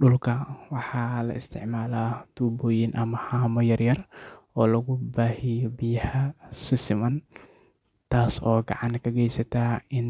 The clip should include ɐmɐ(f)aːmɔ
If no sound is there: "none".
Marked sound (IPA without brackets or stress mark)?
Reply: h